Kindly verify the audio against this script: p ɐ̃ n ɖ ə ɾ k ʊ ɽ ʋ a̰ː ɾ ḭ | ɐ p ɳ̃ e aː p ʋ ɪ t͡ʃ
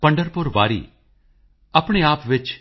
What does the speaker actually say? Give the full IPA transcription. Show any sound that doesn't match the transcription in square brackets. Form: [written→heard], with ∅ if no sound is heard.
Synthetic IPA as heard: p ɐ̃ [n→ɳ] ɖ ə ɾ [k→p] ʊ [ɽ→ɾ] ʋ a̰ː ɾ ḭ | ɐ p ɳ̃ e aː p ʋ ɪ t͡ʃ